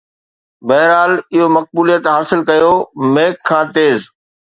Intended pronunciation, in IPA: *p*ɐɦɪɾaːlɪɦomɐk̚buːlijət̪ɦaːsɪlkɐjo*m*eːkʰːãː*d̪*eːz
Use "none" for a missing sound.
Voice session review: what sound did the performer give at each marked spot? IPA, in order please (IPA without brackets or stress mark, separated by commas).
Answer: b, m, t̪